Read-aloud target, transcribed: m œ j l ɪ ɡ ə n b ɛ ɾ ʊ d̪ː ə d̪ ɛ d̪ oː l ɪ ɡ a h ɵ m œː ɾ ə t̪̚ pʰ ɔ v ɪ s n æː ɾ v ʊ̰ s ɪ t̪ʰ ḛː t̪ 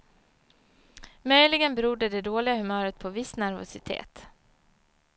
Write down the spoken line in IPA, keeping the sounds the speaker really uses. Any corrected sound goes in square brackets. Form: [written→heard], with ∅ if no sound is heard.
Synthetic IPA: m œ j l ɪ ɡ ə n b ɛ ɾ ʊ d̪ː ə d̪ ɛ d̪ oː l ɪ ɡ a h ɵ m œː ɾ ə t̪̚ pʰ ɔ v ɪ s n [æː→æ] ɾ v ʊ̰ s ɪ t̪ʰ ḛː t̪